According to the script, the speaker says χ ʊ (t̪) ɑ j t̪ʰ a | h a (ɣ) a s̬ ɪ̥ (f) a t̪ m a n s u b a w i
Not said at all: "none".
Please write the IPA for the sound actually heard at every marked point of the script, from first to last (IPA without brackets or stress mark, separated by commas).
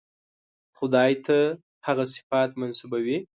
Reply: d̪, ɣ, f